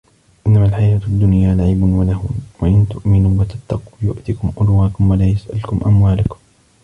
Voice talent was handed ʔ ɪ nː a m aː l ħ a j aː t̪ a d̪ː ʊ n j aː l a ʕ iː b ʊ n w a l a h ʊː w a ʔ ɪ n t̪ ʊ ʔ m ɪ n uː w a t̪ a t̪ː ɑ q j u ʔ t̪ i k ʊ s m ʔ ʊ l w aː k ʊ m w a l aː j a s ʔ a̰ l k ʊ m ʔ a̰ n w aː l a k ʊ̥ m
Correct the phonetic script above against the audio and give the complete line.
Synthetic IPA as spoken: ʔ ɪ nː a m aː l ħ a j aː t̪ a d̪ː ʊ n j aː l a ʕ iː b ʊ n w a l a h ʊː w a ʔ ɪ n t̪ ʊ ʔ m ɪ n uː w a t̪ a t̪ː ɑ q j ʊ ʔ t̪ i k ʊ m ʔ ʊ l w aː k ʊ m w a l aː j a s ʔ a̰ l k ʊ m ʔ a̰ m w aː l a k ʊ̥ m